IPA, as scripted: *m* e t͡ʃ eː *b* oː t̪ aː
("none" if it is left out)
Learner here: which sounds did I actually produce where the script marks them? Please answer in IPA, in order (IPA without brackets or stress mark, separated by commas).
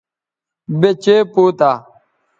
b, p